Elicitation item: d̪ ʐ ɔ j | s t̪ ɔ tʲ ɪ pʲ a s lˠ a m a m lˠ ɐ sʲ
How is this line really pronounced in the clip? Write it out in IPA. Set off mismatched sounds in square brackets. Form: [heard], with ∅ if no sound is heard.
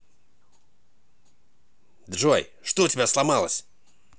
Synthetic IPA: d̪ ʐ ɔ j | [ʂ] t̪ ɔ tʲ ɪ [bʲ] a s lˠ a m a [∅] lˠ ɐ sʲ